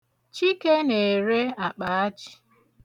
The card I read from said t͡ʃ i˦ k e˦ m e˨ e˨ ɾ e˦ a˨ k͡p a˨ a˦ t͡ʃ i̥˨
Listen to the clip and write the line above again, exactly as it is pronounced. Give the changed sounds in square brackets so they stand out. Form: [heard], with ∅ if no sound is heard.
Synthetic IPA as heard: t͡ʃ i˦ k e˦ [n] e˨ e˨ ɾ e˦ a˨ k͡p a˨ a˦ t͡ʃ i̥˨